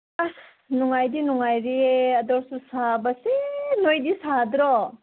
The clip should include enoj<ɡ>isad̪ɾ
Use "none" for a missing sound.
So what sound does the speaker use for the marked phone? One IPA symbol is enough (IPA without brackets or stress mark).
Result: d